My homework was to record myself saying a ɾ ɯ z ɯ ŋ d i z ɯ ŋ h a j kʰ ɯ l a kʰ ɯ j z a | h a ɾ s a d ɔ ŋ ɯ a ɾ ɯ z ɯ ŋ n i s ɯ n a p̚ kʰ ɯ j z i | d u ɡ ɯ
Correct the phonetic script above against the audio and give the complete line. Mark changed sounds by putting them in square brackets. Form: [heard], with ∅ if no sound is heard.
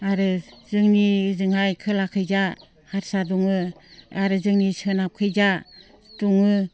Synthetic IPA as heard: a ɾ ɯ z ɯ ŋ [n] i z ɯ ŋ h a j kʰ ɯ l a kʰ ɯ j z a | h a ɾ s a d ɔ ŋ ɯ a ɾ ɯ z ɯ ŋ n i s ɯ n a p̚ kʰ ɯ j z [a] | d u [ŋ] ɯ